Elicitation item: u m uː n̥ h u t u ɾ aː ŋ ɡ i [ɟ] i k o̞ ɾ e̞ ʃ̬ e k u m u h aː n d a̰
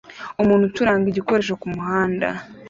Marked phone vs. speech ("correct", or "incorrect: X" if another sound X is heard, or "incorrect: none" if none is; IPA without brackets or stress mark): correct